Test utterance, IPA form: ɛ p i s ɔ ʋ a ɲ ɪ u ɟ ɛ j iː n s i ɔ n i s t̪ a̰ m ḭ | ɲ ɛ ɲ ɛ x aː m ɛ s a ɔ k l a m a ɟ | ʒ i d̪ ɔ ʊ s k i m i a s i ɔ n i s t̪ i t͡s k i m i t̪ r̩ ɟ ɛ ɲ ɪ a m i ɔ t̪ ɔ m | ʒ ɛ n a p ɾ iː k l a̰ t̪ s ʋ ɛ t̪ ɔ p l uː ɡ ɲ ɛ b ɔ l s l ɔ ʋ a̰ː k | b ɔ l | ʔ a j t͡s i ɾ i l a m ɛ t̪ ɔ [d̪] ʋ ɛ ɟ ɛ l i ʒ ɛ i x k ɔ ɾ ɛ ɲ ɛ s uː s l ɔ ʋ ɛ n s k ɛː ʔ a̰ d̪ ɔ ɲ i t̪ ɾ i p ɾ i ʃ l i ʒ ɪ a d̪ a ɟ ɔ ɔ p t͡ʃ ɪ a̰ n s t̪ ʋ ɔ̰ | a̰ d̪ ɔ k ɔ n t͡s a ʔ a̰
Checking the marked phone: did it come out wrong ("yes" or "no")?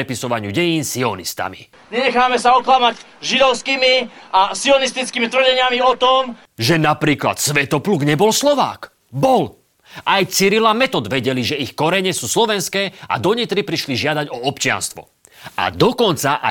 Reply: no